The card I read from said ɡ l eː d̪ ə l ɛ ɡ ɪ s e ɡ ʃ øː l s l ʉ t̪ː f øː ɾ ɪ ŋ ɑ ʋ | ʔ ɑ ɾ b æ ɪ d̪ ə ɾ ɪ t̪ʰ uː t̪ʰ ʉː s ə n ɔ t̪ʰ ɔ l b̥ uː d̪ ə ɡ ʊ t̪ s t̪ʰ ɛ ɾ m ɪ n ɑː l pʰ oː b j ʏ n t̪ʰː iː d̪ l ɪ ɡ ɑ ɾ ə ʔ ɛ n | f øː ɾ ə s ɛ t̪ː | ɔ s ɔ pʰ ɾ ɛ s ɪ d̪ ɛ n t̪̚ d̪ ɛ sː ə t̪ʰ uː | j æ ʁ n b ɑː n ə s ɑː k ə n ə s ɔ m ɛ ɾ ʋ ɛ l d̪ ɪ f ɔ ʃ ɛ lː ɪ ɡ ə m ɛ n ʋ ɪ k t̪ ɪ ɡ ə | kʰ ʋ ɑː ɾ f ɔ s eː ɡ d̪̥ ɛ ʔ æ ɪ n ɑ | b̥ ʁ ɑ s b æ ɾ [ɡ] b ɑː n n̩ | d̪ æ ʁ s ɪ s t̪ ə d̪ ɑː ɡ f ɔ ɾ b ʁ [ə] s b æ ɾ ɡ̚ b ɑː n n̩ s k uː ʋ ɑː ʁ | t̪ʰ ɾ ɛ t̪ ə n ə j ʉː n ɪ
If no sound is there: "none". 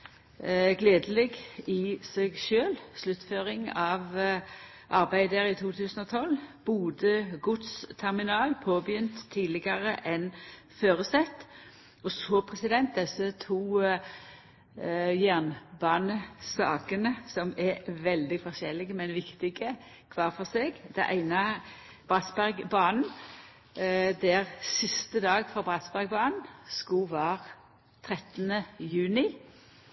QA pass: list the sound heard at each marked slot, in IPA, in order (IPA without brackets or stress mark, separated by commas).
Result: ɡ, ɑ